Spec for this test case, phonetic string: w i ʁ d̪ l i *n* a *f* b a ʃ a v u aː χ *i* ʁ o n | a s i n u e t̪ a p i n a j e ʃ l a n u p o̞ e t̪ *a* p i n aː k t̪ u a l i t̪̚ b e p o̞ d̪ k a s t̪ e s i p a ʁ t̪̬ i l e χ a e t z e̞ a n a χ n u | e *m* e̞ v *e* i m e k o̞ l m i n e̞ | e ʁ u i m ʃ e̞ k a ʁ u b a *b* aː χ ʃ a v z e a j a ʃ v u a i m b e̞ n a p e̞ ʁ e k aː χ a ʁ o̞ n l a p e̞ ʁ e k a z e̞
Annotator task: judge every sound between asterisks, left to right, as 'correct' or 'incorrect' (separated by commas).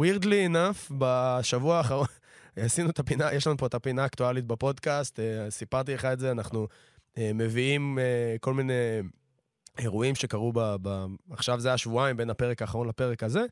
correct, correct, incorrect, correct, correct, incorrect, correct